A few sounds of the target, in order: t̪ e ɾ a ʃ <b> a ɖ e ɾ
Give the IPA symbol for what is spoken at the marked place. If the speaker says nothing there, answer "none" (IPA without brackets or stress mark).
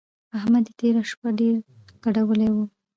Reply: p